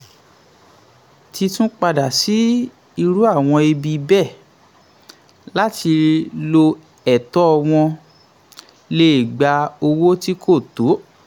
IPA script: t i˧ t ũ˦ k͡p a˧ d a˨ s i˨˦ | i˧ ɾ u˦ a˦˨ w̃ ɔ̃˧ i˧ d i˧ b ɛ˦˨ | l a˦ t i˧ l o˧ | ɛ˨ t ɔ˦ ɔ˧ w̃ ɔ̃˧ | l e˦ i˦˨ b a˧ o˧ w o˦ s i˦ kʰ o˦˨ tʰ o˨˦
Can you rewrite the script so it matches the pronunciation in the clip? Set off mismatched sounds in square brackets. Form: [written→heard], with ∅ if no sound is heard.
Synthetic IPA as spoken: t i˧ t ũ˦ k͡p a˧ d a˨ s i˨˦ | i˧ ɾ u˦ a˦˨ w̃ ɔ̃˧ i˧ [d→b] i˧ b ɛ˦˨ | l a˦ t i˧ l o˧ | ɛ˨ t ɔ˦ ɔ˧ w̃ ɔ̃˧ | l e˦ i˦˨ [b→ɡ͡b] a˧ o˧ w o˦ [s→t] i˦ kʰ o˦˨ [tʰ→t] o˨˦